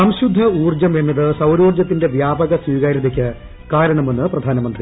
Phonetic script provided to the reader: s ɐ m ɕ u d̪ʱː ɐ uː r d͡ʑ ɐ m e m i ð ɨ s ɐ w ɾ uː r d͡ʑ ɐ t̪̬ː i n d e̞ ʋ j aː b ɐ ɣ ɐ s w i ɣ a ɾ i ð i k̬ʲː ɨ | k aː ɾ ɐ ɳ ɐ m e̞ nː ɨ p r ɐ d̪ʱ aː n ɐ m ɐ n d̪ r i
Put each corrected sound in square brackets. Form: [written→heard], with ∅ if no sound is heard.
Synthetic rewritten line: s ɐ m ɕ u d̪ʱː ɐ uː r d͡ʑ ɐ m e m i ð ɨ s ɐ w ɾ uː r d͡ʑ ɐ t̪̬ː i n d e̞ ʋ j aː b ɐ ɣ ɐ s w [i→iː] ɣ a ɾ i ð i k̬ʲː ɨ | k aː ɾ ɐ ɳ ɐ m e̞ nː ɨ p r ɐ d̪ʱ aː n ɐ m ɐ n d̪ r i